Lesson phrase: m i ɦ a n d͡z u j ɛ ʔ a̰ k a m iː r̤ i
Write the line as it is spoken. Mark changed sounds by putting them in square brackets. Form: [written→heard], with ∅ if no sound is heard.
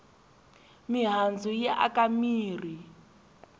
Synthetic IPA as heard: m i ɦ a n d͡z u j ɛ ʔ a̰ k a m iː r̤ i